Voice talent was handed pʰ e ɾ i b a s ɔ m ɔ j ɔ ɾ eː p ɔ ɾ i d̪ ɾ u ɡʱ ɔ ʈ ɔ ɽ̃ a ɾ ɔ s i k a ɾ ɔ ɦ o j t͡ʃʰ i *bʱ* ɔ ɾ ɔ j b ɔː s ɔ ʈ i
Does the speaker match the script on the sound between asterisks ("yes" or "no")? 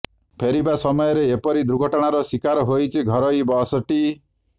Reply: no